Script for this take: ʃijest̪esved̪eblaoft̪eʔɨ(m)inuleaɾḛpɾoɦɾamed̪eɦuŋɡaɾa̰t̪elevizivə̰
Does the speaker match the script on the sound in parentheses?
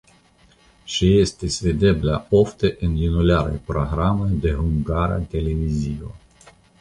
no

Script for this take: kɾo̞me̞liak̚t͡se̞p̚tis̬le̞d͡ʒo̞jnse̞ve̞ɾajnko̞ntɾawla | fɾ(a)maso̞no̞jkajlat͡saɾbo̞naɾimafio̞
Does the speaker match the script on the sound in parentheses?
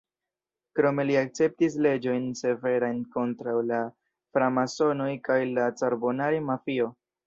yes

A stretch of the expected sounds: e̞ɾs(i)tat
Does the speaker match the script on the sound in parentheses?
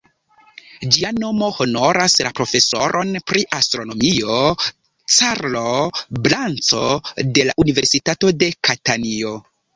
yes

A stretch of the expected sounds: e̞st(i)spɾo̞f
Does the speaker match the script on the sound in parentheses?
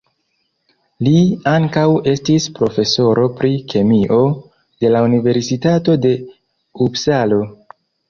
yes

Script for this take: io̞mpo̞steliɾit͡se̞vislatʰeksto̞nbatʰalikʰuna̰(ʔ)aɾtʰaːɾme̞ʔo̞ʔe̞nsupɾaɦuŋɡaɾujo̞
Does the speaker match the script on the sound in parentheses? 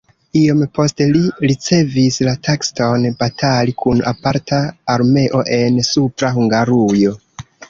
no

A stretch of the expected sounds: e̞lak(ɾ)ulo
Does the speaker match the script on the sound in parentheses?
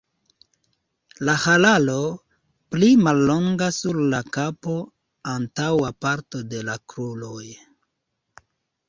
yes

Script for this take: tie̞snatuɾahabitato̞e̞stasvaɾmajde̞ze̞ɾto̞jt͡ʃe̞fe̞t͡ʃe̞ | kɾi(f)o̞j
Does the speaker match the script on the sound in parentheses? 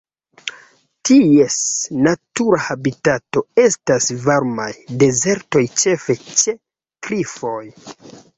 yes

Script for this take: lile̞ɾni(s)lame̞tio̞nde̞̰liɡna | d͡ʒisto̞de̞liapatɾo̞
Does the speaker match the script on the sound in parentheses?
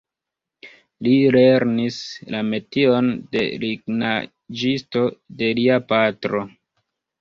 yes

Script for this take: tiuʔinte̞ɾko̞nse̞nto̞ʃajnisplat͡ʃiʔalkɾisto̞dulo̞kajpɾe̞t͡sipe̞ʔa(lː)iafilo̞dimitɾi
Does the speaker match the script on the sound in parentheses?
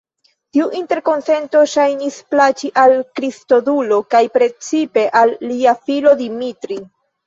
yes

